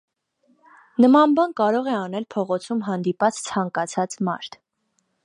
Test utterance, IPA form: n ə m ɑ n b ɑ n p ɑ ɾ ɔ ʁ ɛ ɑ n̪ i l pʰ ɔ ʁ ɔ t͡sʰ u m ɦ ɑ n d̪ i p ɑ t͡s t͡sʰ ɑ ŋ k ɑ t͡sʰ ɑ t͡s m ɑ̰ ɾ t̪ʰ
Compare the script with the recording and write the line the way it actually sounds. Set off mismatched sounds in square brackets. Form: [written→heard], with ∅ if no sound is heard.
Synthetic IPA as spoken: n ə m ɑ n b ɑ n [p→k] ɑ ɾ ɔ ʁ ɛ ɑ n̪ [i→ɛ] l pʰ ɔ ʁ ɔ t͡sʰ u m ɦ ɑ n d̪ i p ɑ t͡s t͡sʰ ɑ ŋ k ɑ t͡sʰ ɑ t͡s m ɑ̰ ɾ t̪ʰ